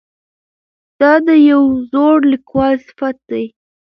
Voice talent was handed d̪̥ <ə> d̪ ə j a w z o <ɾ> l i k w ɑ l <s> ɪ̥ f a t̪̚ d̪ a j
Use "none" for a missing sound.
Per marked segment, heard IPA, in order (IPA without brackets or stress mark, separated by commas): ɑ, ɽ, s